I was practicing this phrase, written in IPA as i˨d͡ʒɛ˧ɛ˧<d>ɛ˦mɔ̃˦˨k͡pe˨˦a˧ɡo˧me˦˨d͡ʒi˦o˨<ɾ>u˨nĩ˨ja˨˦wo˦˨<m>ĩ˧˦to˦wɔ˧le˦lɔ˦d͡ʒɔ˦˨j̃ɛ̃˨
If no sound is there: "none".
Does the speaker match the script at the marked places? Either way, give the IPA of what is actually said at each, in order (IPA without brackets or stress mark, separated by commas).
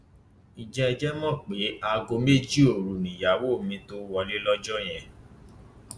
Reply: d͡ʒ, ɾ, m